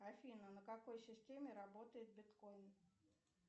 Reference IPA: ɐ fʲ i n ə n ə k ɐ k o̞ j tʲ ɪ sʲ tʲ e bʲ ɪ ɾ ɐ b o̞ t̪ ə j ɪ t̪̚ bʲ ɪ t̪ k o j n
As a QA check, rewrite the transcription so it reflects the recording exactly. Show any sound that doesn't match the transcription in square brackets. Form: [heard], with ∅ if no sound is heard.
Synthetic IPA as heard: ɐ fʲ i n ə n ə k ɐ k o̞ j [sʲ] ɪ sʲ tʲ e [mʲ] ɪ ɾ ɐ b o̞ t̪ ə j ɪ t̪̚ bʲ ɪ t̪ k o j n